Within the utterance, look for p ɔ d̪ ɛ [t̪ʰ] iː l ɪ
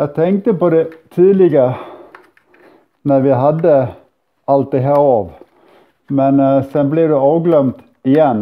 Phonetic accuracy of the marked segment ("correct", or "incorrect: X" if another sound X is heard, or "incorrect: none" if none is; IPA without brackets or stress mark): correct